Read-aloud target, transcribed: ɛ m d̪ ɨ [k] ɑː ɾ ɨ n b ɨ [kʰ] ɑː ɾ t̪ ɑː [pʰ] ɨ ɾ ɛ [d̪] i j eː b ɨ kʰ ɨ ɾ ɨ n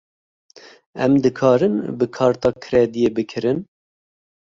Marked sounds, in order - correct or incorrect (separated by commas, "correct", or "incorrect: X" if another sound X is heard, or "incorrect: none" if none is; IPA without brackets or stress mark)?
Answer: incorrect: kʰ, correct, incorrect: kʰ, correct